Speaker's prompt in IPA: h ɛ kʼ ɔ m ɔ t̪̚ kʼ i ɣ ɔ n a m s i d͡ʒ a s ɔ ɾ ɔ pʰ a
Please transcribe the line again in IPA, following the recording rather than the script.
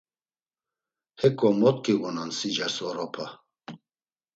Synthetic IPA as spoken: h ɛ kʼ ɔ m ɔ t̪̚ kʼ i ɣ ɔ n a n s i d͡ʒ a s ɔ ɾ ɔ pʰ a